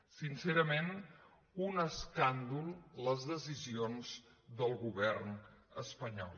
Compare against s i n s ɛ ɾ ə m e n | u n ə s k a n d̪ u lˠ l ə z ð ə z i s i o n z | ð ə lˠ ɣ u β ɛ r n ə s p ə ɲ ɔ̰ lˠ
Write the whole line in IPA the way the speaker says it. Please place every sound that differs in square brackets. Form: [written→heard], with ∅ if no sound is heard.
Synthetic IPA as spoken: s i n s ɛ ɾ ə m e n | u n ə s k a n d̪ u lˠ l ə z ð ə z i [s→z] i o n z | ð ə lˠ ɣ u β ɛ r n ə s p ə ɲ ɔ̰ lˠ